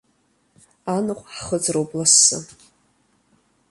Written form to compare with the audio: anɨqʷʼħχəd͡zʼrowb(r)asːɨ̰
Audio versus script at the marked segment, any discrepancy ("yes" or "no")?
yes